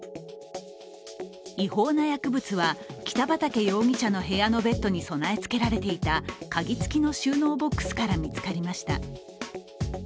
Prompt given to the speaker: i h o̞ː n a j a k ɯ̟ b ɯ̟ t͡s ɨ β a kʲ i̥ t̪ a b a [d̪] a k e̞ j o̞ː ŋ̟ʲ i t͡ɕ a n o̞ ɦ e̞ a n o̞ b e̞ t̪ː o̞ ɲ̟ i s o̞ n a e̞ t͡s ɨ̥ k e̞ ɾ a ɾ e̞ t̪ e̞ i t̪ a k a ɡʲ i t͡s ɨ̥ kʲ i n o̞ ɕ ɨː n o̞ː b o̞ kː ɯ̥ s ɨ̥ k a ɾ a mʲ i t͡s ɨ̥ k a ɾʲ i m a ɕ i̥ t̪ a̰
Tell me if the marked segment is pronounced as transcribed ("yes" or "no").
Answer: no